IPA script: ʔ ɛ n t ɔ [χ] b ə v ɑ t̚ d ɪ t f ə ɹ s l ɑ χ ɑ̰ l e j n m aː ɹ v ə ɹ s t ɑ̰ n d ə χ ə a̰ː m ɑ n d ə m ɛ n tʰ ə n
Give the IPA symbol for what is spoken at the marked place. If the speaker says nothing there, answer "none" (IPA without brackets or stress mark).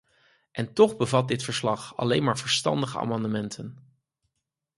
χ